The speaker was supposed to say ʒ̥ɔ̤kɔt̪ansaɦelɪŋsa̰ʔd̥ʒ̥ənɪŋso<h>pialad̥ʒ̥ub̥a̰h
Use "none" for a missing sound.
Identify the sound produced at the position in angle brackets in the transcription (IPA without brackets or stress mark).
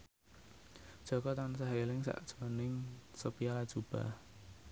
none